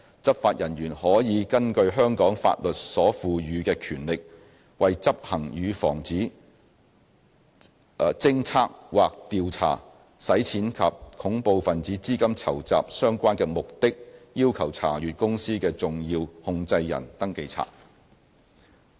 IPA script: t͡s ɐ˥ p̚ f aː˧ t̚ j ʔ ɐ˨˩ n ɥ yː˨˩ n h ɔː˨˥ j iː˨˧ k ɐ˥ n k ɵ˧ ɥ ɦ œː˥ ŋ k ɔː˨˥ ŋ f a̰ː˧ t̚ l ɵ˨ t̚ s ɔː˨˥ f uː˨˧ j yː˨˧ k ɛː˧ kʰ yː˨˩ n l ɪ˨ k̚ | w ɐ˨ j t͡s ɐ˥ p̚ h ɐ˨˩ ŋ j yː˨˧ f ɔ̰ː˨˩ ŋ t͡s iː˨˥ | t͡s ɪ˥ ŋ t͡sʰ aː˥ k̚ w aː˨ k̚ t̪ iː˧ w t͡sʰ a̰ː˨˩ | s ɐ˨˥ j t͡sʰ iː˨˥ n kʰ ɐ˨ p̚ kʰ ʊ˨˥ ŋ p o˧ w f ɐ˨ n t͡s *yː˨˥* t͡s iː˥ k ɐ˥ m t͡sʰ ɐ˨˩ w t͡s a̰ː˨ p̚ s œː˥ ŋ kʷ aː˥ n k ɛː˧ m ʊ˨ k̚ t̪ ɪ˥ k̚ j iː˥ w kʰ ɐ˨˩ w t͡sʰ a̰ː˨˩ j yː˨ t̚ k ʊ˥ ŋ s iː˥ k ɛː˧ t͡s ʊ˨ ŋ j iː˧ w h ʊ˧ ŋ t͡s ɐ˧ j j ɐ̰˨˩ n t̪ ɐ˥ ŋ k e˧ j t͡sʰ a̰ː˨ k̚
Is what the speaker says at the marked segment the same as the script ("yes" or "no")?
no